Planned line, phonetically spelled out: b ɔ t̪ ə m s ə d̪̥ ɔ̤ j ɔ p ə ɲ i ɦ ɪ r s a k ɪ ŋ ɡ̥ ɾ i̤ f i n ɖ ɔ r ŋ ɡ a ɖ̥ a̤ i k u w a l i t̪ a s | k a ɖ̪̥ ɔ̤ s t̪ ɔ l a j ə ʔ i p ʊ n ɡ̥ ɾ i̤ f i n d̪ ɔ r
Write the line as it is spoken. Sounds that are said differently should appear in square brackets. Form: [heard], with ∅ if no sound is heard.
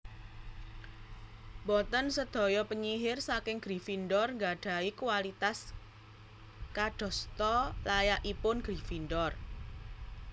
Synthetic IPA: b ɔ t̪ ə [n] s ə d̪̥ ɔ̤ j ɔ p ə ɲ i ɦ ɪ r s a k ɪ ŋ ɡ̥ ɾ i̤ f i n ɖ ɔ r ŋ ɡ a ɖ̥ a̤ i k u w a l i t̪ a s | k a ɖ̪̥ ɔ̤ s t̪ ɔ l a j [a] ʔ i p ʊ n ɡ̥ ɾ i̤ f i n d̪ ɔ r